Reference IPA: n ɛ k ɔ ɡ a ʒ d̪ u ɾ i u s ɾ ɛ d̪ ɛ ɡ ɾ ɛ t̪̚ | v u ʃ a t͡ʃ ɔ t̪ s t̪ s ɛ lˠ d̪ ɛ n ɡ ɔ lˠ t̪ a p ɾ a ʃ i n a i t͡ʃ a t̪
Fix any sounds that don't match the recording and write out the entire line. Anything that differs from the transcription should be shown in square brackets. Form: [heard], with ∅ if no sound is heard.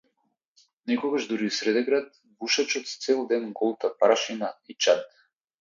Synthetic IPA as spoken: n ɛ k ɔ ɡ a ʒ d̪ u ɾ i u s ɾ ɛ d̪ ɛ ɡ ɾ [a] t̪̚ | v u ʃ a t͡ʃ ɔ t̪ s t̪ s ɛ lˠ d̪ ɛ n ɡ ɔ lˠ t̪ a p ɾ a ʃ i n a i t͡ʃ a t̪